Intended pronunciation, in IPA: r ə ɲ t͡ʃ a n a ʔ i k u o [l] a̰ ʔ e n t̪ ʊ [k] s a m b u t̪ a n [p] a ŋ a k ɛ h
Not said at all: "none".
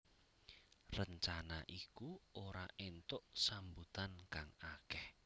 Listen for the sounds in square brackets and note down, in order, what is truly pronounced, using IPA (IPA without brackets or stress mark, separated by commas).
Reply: ɾ, ʔ, k